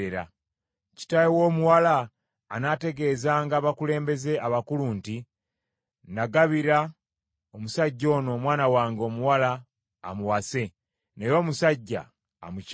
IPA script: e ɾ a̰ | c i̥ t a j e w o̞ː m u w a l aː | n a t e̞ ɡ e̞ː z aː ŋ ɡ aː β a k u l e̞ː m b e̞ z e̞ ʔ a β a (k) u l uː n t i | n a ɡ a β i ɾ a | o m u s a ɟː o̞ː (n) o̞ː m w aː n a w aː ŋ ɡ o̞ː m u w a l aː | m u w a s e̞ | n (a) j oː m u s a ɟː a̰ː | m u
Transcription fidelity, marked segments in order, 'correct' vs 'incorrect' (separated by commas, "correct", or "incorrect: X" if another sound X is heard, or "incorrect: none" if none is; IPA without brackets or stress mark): correct, correct, incorrect: e